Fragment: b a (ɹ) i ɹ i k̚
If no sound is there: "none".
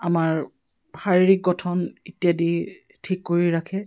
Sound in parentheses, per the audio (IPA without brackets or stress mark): ɹ